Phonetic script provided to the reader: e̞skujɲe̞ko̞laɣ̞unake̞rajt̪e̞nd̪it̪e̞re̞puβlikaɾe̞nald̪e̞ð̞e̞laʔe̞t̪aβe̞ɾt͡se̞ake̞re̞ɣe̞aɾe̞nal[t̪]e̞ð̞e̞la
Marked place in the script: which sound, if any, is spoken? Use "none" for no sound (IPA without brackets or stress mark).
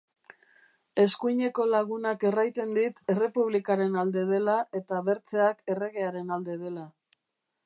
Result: d̪